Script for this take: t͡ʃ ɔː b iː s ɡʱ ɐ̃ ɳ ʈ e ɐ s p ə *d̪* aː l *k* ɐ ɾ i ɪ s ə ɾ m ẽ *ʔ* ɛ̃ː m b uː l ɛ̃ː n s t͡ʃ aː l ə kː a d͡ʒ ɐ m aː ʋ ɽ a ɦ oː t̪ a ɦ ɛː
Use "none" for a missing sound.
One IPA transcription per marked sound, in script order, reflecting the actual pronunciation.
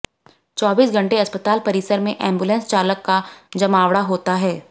t̪, p, ʔ

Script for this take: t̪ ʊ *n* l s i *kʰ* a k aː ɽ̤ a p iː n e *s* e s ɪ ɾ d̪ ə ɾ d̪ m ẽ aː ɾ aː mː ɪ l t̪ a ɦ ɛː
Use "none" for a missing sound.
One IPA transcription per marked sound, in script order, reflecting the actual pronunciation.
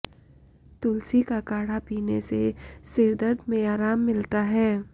none, k, s

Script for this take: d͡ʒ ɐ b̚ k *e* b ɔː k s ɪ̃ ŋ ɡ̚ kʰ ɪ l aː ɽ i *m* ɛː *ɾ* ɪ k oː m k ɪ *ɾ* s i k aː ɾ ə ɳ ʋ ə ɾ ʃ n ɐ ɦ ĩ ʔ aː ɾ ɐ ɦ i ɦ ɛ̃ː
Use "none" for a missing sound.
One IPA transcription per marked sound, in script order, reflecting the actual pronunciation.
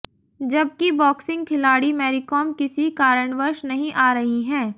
i, m, ɾ, none

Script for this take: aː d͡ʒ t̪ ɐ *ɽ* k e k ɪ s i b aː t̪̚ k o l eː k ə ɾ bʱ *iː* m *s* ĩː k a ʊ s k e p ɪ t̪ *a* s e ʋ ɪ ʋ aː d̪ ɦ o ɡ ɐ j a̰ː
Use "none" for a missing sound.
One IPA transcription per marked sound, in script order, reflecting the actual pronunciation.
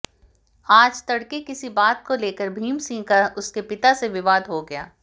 ɽ, iː, s, a

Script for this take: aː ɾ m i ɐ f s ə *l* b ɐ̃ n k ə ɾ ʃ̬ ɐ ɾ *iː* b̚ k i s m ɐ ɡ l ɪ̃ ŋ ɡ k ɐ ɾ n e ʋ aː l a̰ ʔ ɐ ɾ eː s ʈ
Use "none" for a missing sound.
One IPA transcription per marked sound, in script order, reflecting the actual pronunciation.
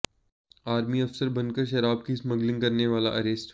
ɾ, aː

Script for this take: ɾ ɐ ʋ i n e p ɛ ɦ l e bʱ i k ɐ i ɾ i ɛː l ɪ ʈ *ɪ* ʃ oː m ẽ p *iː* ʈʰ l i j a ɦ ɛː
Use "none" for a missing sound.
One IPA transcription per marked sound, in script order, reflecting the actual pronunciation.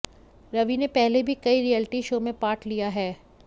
i, aː

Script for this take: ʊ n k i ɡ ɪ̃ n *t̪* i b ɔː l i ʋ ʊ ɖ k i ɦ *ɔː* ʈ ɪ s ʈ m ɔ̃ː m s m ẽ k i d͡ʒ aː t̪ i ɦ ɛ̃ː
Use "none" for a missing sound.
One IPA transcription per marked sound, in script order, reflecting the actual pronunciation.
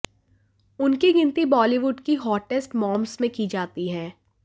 t̪, ɔː

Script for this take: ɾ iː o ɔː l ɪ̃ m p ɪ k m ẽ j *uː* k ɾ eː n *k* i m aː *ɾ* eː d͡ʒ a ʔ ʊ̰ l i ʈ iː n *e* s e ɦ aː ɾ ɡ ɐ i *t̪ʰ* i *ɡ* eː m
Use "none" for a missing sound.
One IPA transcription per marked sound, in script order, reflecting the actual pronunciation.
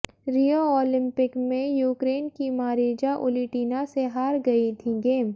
uː, k, ɾ, a, t̪ʰ, ɡ

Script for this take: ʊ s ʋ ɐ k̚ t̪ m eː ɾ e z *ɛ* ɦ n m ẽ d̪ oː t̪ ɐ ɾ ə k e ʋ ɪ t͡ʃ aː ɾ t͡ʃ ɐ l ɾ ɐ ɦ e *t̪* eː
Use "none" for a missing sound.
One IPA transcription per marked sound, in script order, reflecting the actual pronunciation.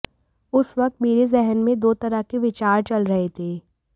ɛ, t̪ʰ

